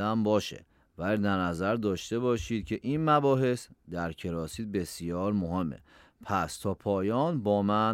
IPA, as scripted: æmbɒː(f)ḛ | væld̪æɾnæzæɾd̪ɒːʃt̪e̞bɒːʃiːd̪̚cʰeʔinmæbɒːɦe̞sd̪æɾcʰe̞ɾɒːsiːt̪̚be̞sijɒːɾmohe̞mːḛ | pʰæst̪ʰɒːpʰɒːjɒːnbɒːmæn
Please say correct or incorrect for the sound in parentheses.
incorrect